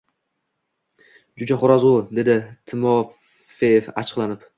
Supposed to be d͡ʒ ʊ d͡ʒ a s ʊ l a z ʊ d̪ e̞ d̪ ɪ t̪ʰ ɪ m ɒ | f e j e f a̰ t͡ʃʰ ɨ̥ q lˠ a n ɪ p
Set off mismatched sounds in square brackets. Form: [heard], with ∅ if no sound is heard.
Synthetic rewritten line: d͡ʒ ʊ d͡ʒ a [χ] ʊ [ɾ] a z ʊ d̪ e̞ d̪ ɪ t̪ʰ ɪ m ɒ | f e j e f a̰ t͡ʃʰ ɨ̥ q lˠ a n ɪ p